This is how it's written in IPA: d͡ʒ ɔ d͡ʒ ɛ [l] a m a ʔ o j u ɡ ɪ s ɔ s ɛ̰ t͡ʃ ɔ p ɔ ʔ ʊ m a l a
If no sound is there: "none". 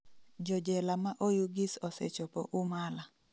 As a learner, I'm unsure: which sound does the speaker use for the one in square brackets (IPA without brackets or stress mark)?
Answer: l